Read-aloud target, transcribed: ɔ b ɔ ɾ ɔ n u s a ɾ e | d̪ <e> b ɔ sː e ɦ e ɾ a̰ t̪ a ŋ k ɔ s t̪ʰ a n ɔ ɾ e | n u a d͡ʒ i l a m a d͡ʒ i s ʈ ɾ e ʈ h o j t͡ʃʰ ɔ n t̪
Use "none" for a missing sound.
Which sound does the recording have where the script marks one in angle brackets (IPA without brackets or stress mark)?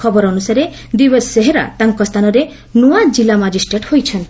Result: i